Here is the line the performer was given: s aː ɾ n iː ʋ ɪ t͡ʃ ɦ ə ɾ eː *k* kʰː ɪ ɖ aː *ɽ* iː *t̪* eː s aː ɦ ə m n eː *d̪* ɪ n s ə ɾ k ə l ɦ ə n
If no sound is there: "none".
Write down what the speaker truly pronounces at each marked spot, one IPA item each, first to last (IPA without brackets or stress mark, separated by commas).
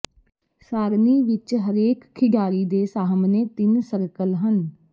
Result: k, ɾ, d̪, t̪